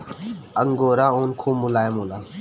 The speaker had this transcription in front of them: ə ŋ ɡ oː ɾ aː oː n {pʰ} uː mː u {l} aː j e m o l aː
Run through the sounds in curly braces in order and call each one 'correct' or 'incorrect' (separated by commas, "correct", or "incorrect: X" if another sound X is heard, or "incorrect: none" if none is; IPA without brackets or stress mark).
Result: incorrect: kʰ, correct